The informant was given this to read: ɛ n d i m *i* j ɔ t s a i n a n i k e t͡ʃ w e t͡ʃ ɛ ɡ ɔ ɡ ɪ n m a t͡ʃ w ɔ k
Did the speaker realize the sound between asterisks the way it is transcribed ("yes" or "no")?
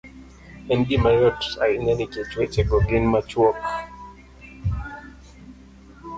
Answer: no